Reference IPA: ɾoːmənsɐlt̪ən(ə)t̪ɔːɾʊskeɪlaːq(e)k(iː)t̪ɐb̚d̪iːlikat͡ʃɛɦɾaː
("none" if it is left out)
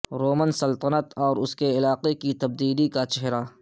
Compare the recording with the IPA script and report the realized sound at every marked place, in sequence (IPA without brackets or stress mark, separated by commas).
ə, e, i